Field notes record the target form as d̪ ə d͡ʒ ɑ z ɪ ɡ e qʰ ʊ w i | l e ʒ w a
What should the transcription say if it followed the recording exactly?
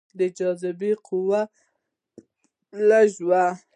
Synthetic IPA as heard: d̪ ə d͡ʒ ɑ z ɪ b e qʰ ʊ w a | l a ʒ w a

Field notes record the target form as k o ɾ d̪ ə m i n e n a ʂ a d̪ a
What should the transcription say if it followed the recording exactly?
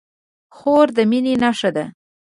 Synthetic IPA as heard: x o ɾ d̪ ə m i n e n a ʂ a d̪ a

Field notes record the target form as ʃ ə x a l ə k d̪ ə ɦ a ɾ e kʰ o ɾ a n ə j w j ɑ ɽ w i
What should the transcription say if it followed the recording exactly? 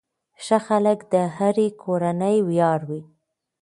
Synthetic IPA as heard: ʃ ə x a l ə k d̪ ə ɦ a ɾ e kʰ o ɾ a n ə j w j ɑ ɾ w i

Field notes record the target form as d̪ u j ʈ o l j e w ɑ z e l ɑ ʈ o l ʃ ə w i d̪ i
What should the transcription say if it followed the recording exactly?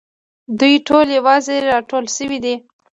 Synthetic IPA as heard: d̪ u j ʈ o l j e w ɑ z e ɾ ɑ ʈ o l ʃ ə w i d̪ i

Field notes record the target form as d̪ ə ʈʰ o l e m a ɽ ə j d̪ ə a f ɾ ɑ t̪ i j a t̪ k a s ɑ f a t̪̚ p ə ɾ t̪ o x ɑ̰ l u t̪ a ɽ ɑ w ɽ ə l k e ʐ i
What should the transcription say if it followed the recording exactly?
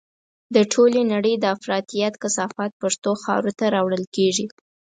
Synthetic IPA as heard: d̪ ə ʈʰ o l e n a ɽ ə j d̪ ə a f ɾ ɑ t̪ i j a t̪ k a s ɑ f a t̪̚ p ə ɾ t̪ o x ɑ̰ ɾ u t̪ a ɾ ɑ w ɽ ə l k e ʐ i

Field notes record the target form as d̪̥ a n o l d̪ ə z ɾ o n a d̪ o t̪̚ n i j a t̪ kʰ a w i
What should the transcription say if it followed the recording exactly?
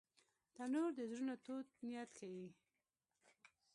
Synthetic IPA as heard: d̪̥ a n o ɾ d̪ ə z ɾ u n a t̪ o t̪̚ n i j a t̪ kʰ a w i

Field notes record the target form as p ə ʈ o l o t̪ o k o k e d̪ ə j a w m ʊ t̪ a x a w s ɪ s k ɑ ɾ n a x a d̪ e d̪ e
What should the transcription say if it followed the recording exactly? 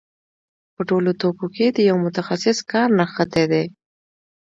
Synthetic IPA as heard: p ə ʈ o l o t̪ o k o k e d̪ ə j a w m ʊ t̪ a x a s ɪ s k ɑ ɾ n a x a t̪ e d̪ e

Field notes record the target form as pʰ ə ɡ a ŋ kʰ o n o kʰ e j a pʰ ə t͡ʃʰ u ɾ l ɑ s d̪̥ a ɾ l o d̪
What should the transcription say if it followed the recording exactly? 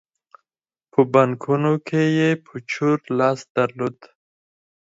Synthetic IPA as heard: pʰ ə b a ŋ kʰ u n o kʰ e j e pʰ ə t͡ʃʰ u ɾ l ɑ s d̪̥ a ɾ l o d̪

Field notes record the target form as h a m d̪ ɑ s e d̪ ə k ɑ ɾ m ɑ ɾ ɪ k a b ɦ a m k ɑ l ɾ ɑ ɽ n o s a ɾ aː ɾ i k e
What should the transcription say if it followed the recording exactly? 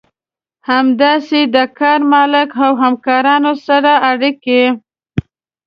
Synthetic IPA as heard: h a m d̪ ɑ s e d̪ ə k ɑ ɾ m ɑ l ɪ k a w ɦ a m k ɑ ɾ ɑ n o s a ɾ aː ɽ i k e

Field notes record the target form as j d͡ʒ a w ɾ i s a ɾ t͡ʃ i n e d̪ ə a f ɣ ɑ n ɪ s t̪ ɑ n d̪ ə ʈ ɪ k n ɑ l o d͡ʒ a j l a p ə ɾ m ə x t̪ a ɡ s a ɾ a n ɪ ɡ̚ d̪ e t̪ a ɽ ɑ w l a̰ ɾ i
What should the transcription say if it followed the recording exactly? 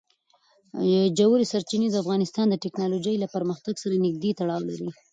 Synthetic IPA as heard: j d͡ʒ a w ɾ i s a ɾ t͡ʃ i n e d̪ ə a f ɣ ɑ n ɪ s t̪ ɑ n d̪ ə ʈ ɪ k n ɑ l o d͡ʒ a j l a p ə ɾ m ə x t̪ a ɡ s a ɾ a n ɪ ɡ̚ d̪ e t̪ a ɽ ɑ w l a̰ ɾ i

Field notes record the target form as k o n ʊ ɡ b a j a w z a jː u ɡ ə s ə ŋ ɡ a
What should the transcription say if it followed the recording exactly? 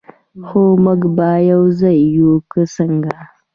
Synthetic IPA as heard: x o m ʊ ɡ b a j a w z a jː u k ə s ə ŋ ɡ a

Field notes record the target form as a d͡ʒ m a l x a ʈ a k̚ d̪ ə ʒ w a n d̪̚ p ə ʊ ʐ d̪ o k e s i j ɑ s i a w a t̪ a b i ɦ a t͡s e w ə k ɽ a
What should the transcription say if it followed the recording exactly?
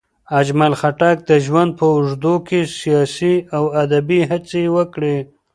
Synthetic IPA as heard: a d͡ʒ m a l x a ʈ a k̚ d̪ ə ʒ w a n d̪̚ p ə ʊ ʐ d̪ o k e s i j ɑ s i a w a d̪ a b i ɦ a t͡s e w ə k ɽ e

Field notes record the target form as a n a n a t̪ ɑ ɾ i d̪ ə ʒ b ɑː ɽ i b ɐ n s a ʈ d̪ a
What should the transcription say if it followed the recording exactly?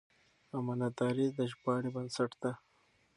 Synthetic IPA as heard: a m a n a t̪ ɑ ɾ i d̪ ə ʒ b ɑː ɽ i b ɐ n s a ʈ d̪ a

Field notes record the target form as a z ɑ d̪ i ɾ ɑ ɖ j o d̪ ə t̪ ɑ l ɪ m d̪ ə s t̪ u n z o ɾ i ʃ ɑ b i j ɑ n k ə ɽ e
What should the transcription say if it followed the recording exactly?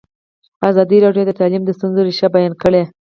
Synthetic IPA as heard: a z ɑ d̪ i ɾ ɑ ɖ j o d̪ ə t̪ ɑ l i m d̪ ə s t̪ u n z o ɾ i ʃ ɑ b a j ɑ n k ə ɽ e

